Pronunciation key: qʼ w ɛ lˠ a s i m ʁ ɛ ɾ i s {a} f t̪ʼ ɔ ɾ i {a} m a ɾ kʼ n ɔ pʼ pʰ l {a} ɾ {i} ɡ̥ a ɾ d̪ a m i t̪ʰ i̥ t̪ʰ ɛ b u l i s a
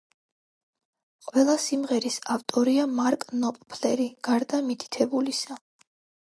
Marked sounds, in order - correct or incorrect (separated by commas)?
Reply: correct, correct, incorrect, correct